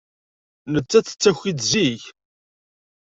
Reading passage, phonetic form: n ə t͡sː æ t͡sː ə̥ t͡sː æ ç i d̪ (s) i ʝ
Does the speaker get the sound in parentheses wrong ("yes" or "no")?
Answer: yes